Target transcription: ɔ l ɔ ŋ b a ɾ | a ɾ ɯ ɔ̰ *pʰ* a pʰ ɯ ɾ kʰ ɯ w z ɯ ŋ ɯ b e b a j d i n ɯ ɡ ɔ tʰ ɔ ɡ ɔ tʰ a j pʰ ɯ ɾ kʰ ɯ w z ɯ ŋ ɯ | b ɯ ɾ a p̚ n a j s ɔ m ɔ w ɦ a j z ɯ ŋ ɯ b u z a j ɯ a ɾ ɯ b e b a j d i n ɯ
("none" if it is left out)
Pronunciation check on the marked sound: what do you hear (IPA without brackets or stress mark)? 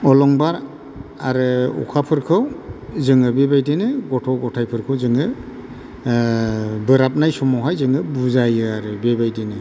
kʰ